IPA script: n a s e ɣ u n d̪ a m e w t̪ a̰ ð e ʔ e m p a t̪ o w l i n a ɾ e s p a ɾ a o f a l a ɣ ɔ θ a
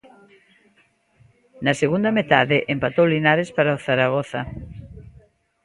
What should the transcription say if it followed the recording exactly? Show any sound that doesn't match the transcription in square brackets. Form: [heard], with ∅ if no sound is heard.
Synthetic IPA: n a s e ɣ u n d̪ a m e [∅] t̪ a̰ ð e ʔ e m p a t̪ o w l i n a ɾ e s p a ɾ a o [θ] a [ɾ] a ɣ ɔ θ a